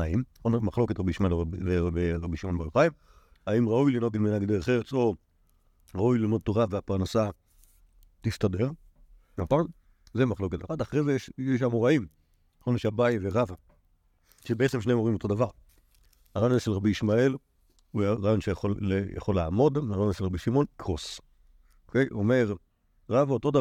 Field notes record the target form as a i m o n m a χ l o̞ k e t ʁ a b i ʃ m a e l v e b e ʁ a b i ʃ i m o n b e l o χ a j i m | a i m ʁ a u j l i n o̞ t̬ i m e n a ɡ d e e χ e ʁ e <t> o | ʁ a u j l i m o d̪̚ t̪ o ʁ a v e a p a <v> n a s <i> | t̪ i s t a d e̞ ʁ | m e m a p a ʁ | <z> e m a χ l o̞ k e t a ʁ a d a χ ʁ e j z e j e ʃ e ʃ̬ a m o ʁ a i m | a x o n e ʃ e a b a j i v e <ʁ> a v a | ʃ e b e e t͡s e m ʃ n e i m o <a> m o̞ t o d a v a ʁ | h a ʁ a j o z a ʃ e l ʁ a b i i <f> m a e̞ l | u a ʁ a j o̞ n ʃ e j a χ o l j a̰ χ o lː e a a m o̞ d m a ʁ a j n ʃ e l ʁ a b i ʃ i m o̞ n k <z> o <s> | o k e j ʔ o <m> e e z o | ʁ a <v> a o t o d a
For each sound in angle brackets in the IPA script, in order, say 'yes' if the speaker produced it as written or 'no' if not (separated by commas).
no, no, no, yes, yes, no, no, no, yes, yes, yes